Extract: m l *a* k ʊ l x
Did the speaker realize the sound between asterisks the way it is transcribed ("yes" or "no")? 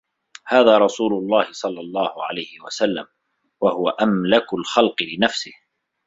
yes